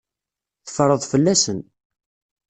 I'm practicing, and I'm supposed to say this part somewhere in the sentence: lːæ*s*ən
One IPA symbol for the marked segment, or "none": s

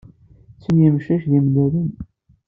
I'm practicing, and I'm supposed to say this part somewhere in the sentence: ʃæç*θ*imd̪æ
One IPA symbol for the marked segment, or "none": ð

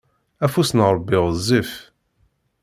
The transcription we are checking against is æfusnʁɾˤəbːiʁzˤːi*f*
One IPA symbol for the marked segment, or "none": f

